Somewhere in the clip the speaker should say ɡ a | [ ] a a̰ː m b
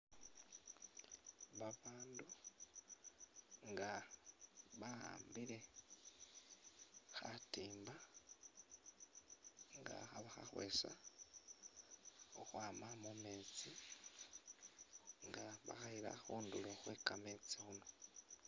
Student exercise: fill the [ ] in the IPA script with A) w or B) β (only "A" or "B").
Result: B